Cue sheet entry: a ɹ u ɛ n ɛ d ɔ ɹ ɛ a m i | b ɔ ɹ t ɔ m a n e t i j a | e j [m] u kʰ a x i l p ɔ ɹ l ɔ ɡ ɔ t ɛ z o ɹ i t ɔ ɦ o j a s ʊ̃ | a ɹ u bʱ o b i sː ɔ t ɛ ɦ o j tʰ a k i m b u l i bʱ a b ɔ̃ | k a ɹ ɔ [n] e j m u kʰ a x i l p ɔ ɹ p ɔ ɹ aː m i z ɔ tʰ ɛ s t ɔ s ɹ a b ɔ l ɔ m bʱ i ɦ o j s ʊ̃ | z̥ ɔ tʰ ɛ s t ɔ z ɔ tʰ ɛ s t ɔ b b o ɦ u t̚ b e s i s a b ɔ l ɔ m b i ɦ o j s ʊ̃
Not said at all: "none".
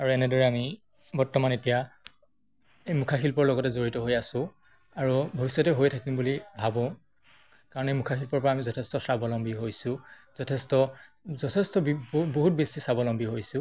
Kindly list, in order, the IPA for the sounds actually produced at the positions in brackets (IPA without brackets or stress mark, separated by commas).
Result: m, n